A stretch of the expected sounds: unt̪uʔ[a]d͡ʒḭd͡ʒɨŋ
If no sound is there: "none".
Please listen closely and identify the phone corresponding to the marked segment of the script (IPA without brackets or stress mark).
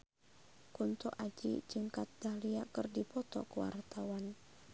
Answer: a